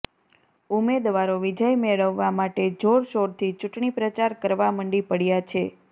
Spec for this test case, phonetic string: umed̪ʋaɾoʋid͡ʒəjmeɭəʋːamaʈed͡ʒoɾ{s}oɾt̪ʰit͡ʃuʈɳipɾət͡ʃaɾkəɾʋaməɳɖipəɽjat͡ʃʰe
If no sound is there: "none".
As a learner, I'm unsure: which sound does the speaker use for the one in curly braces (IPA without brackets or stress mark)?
ʃ